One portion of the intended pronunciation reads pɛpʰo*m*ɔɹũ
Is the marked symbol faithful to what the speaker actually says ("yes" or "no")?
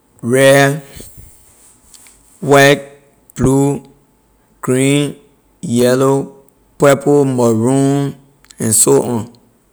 yes